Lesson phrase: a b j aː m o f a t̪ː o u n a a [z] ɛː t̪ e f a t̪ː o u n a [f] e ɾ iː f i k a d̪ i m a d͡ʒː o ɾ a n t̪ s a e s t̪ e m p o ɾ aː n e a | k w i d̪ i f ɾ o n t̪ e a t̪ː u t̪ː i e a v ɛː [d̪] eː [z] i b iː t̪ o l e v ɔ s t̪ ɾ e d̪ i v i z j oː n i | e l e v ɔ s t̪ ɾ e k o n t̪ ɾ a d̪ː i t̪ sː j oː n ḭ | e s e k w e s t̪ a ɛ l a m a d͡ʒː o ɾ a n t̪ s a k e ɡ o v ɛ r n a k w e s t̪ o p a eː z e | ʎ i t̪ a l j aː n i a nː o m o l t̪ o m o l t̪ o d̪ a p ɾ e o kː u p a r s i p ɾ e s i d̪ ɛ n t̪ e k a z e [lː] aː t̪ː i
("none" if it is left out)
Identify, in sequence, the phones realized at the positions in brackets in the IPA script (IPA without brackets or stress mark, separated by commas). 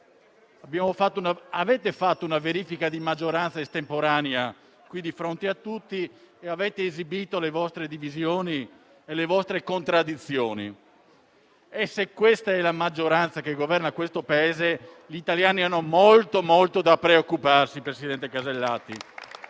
v, v, t̪, z, lː